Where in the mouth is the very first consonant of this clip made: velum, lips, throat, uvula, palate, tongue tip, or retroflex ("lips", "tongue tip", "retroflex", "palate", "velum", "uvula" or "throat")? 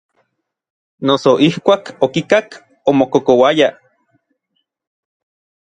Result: tongue tip